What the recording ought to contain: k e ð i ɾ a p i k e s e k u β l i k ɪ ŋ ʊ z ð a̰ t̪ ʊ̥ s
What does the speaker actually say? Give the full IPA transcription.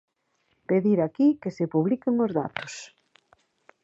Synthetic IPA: p e ð i ɾ a k i k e s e p u β l i k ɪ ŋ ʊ z ð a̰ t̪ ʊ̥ s